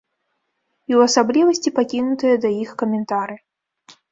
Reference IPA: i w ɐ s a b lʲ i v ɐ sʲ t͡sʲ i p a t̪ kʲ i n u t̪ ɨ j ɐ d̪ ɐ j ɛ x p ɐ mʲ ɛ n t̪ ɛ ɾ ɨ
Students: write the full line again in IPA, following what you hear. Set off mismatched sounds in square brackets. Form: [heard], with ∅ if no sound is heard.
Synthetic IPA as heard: i w ɐ s a b lʲ i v ɐ sʲ t͡sʲ i p a [∅] kʲ i n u t̪ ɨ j ɐ d̪ ɐ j [i] x [k] ɐ mʲ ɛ n t̪ [a] ɾ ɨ